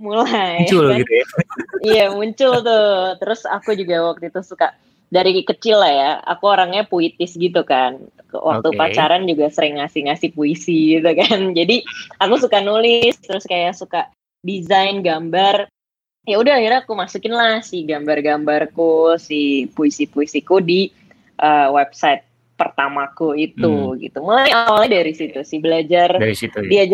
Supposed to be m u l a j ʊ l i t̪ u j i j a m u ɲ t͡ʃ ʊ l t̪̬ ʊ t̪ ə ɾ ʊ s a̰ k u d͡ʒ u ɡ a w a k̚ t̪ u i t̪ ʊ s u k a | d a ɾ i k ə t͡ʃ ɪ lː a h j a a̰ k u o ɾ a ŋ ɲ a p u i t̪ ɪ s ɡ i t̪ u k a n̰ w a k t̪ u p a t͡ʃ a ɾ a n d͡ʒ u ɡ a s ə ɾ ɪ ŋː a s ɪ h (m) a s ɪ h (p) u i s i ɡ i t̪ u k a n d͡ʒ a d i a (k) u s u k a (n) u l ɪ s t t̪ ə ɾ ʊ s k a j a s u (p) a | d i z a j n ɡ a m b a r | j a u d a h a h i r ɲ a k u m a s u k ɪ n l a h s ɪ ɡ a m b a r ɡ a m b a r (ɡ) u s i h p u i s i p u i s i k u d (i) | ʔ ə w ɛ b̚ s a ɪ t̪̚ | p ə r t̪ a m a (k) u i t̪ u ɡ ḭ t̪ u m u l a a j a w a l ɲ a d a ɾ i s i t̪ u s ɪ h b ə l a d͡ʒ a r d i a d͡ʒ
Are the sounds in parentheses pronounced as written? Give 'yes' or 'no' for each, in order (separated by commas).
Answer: no, yes, yes, yes, no, no, yes, yes